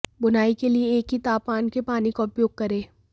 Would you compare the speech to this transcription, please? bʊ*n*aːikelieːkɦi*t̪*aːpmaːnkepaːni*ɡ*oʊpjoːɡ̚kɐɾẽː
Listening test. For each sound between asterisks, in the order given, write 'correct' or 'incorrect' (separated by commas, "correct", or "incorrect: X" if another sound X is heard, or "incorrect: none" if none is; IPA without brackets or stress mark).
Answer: correct, correct, incorrect: k